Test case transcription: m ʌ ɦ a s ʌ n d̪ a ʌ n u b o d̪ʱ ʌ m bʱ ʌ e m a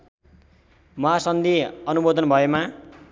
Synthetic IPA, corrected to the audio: m ʌ ɦ a s ʌ n d̪ i ʌ n u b o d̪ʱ ʌ n bʱ ʌ e m a